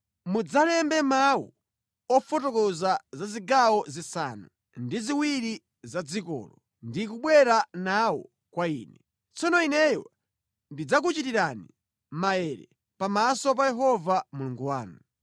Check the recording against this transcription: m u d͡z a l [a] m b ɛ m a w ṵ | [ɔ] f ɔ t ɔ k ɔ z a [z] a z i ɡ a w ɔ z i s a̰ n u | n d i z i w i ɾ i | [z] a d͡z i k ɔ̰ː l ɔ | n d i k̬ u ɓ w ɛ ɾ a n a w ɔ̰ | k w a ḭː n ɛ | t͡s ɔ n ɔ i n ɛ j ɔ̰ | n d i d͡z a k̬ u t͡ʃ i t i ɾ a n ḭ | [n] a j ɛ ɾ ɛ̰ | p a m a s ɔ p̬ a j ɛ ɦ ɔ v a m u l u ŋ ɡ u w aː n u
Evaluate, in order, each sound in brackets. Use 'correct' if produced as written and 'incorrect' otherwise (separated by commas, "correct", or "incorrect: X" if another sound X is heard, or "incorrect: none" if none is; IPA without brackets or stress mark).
incorrect: ɛ, correct, correct, correct, incorrect: m